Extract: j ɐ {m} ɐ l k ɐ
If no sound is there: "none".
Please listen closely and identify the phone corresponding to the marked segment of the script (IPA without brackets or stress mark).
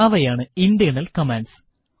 n